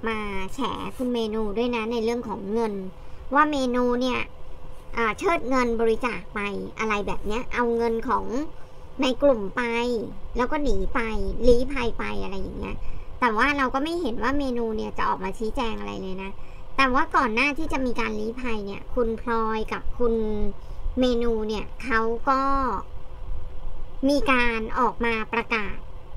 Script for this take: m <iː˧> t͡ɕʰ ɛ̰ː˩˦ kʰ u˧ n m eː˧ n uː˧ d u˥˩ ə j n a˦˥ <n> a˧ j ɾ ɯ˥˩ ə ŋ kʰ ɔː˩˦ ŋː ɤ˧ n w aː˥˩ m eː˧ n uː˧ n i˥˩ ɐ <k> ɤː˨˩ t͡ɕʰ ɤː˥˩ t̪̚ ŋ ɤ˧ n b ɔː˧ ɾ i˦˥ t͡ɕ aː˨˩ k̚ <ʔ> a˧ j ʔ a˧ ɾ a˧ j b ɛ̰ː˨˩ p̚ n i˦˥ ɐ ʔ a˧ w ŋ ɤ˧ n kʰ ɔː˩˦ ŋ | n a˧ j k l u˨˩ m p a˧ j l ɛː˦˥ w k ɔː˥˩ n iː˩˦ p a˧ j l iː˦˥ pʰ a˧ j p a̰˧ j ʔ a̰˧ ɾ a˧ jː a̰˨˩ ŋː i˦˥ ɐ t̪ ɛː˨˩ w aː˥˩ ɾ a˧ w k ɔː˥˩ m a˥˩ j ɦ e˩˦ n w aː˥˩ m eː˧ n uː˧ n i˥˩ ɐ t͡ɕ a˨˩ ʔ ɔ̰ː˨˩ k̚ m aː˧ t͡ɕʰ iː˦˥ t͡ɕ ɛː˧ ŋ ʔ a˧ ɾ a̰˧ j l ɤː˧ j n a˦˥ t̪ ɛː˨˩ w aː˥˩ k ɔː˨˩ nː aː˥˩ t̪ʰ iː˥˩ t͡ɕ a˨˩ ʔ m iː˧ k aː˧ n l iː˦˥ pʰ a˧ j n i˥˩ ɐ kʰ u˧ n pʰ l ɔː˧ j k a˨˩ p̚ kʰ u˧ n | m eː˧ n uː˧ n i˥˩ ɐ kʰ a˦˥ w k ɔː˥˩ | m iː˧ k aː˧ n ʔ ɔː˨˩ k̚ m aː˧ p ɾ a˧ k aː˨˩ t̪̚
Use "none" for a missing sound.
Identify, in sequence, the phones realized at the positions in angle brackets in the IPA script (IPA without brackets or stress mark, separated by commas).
aː˧, n, ʔ, p